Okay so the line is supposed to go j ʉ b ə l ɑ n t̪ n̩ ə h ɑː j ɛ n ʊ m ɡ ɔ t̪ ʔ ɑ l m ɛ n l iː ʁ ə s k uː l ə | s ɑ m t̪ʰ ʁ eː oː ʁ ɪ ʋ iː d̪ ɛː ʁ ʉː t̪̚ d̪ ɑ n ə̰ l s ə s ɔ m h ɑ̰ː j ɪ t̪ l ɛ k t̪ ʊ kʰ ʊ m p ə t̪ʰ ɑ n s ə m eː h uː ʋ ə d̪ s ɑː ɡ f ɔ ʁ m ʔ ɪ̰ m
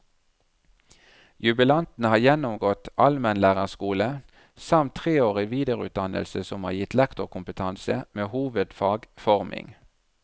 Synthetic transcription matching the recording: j ʉ b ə l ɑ n t̪ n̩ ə h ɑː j ɛ n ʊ m ɡ ɔ t̪ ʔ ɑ l m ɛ n l æː ʁ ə s k uː l ə | s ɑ m t̪ʰ ʁ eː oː ʁ ɪ ʋ iː d̪ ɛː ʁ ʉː t̪̚ d̪ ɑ n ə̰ l s ə s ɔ m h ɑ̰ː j ɪ t̪ l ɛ k t̪ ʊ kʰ ʊ m p ə t̪ʰ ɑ n s ə m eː h uː ʋ ə d̪ f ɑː ɡ f ɔ ʁ m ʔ ɪ̰ ŋ